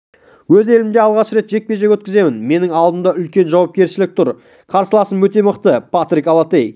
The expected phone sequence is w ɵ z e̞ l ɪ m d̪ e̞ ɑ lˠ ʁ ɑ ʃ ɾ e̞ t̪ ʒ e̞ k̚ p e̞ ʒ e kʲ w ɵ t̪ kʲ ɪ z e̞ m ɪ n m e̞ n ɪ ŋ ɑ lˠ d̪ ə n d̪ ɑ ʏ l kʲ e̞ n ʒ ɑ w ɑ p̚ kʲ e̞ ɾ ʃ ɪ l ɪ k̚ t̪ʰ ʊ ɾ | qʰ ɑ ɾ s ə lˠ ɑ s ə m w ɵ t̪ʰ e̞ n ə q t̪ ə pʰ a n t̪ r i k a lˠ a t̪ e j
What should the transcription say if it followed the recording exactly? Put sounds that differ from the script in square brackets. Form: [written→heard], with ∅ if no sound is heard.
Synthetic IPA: w ɵ z e̞ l ɪ m d̪ e̞ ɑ lˠ ʁ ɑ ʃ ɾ e̞ t̪ ʒ e̞ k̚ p e̞ ʒ e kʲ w ɵ t̪ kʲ ɪ z e̞ m ɪ n m e̞ n ɪ ŋ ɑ lˠ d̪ ə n d̪ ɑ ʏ l kʲ e̞ n ʒ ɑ w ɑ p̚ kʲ e̞ ɾ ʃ ɪ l ɪ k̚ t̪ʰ ʊ ɾ | qʰ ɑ ɾ s ə lˠ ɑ s ə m w ɵ [t̪ʰ→t̪] e̞ [n→m] ə q t̪ ə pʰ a [n→∅] t̪ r i k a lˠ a t̪ e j